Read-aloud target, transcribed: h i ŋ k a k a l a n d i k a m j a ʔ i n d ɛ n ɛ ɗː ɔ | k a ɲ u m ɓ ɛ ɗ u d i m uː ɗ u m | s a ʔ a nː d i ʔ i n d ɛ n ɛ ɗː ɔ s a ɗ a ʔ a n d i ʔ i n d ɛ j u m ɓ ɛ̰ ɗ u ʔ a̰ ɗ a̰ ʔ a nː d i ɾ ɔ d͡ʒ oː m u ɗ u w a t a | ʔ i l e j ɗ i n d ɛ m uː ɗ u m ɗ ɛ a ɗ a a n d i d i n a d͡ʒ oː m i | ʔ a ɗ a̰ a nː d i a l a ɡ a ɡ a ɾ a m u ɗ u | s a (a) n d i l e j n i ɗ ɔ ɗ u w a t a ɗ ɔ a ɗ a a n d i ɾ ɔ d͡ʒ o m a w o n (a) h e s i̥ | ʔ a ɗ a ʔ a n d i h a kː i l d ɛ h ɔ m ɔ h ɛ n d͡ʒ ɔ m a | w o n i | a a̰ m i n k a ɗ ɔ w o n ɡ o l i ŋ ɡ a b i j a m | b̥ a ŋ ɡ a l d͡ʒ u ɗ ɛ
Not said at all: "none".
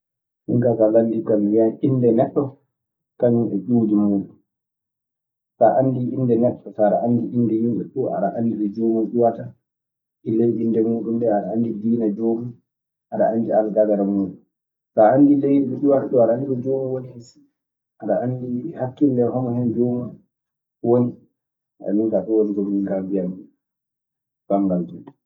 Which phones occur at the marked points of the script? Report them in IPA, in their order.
a, i

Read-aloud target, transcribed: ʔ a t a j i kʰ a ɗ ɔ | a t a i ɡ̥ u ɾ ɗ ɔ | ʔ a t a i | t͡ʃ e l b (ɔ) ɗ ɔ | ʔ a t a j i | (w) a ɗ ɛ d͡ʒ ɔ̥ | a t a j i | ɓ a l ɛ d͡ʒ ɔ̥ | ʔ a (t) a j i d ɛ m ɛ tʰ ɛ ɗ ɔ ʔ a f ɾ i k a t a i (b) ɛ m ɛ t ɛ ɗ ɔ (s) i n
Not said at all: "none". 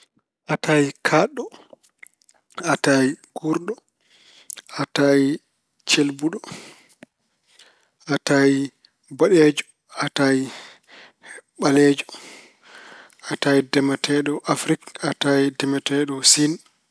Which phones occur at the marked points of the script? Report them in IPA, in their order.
u, b, t, d, s

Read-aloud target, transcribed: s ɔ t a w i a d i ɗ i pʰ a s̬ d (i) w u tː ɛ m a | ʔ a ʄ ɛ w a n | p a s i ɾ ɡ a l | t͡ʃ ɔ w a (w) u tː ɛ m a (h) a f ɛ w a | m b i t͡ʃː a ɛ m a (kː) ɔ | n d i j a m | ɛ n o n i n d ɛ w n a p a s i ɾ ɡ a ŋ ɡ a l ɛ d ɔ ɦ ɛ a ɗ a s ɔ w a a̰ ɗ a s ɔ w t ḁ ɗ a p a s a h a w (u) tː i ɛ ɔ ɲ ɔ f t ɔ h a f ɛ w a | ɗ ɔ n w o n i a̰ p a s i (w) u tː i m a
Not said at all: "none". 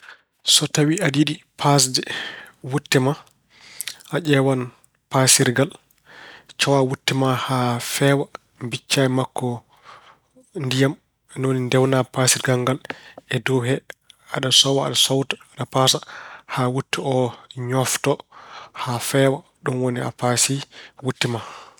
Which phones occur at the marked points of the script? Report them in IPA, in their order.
ɛ, w, h, kː, u, w

